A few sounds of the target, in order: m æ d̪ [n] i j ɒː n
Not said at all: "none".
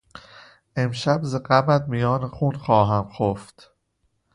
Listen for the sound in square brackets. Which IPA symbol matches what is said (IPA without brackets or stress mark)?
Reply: m